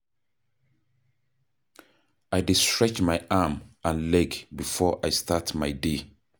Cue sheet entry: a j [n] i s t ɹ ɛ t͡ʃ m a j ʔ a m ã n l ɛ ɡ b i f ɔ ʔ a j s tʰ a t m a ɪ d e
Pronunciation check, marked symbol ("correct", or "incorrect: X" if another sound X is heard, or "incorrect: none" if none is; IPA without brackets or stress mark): incorrect: d